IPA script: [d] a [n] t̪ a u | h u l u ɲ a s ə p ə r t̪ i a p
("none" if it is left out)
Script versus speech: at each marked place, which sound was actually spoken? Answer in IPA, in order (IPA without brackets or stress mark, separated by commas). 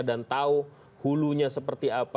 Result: d, n